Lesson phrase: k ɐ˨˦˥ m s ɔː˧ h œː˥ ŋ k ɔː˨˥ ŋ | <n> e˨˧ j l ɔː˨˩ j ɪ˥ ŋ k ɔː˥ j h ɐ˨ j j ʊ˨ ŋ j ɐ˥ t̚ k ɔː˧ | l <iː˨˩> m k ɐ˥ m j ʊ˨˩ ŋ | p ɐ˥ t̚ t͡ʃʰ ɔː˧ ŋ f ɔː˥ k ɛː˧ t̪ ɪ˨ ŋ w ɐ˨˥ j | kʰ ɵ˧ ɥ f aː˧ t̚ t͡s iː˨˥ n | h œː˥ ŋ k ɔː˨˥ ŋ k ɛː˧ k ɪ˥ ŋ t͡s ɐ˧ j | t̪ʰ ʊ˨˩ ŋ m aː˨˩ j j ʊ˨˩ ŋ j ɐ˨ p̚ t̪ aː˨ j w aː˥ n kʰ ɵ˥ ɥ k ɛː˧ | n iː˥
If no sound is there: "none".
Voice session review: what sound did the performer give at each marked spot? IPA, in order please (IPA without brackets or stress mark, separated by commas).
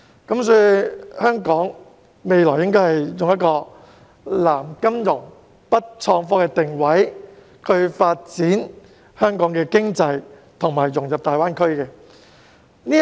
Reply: m, aː˨˩